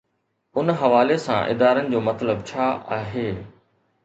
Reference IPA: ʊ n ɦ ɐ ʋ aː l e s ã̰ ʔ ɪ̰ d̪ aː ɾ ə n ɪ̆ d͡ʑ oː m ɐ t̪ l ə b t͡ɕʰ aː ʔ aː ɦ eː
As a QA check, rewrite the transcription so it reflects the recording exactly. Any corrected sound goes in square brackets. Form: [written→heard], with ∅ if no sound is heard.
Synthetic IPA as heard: ʊ n ɦ ɐ ʋ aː l e s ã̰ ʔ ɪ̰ d̪ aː ɾ ə n ɪ̆ d͡ʑ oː m ɐ t̪ l ə b t͡ɕʰ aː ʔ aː ɦ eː